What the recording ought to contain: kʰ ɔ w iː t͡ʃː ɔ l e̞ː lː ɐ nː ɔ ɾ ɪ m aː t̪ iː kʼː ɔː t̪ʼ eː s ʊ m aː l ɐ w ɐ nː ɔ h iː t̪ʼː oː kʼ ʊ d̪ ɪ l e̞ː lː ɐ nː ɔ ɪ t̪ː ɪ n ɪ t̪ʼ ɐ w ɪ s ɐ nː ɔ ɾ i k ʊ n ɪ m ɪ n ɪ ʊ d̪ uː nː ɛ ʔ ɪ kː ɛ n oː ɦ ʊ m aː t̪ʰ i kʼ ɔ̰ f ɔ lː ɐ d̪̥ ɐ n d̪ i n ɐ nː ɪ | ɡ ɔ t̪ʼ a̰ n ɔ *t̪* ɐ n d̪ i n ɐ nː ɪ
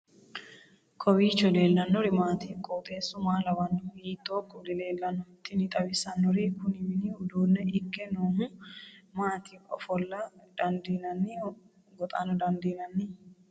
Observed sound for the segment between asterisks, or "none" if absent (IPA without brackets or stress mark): d̪